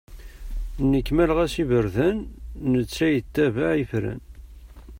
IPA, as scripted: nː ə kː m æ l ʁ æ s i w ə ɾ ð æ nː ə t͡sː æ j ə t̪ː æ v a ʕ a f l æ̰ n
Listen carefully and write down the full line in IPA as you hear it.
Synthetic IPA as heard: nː ə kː m æ l ʁ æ s i v ə ɾ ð æ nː ə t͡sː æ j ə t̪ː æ v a ʕ i f ɾ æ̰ n